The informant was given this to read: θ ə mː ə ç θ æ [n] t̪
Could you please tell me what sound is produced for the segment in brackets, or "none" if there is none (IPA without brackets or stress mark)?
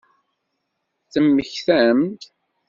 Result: m